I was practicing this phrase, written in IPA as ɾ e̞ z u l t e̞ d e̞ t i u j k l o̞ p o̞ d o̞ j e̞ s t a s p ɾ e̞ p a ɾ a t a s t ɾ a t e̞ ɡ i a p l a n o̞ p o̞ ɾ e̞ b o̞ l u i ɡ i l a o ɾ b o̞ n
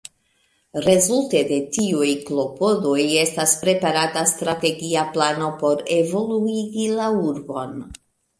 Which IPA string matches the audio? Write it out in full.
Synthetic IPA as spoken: ɾ e̞ z u l t e̞ d e̞ t i u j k l o̞ p o̞ d o̞ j e̞ s t a s p ɾ e̞ p a ɾ a t a s t ɾ a t e̞ ɡ i a p l a n o̞ p o̞ ɾ e̞ v o̞ l u i ɡ i l a u ɾ b o̞ n